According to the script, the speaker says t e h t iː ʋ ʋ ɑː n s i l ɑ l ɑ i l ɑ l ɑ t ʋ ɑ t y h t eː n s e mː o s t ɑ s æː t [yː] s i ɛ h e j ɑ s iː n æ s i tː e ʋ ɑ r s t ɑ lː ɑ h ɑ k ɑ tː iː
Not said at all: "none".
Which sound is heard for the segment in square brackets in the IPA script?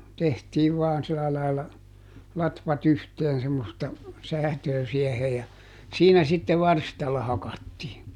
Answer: øː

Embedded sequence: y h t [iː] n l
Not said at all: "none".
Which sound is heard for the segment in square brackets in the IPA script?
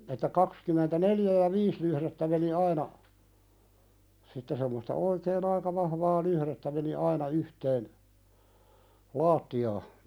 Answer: eː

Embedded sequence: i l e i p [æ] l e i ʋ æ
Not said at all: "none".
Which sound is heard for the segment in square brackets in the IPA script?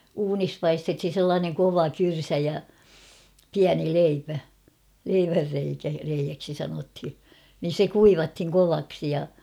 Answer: æ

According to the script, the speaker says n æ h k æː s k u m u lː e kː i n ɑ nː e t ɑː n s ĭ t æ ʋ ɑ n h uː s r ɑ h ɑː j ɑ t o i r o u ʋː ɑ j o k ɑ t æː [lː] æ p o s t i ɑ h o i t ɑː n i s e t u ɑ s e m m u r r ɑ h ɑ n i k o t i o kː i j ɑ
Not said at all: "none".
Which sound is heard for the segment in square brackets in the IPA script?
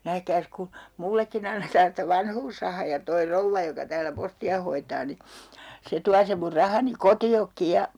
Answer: l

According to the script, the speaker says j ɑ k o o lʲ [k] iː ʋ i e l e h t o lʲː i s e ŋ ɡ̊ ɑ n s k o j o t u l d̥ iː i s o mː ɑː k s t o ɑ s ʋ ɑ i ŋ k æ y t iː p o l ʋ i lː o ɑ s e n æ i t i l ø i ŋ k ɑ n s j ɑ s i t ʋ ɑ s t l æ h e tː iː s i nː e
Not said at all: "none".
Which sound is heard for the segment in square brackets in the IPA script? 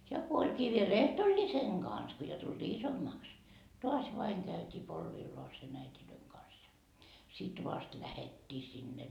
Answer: k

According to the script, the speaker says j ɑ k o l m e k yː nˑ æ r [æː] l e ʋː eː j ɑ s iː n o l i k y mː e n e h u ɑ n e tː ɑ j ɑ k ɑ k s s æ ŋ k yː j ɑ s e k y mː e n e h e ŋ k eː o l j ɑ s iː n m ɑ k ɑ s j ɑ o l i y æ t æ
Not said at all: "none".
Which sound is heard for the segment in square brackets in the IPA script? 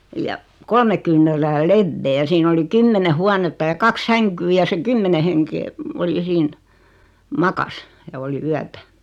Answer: æː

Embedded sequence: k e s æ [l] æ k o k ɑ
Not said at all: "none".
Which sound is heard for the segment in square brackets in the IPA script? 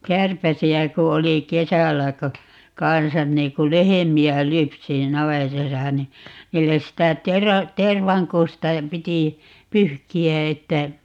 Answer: lː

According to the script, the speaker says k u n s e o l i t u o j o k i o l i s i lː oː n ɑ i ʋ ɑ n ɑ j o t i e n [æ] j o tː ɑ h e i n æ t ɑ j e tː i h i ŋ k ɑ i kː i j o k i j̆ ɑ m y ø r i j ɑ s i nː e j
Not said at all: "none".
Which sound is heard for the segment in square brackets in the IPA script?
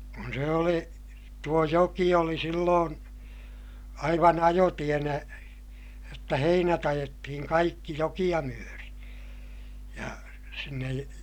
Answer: æ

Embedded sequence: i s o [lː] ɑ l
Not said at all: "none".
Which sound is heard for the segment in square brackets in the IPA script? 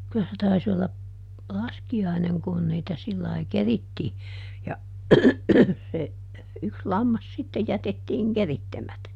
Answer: lː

